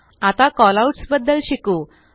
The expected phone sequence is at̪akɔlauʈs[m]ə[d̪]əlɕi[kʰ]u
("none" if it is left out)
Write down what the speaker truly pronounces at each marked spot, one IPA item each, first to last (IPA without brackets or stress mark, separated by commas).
b, d̪ː, k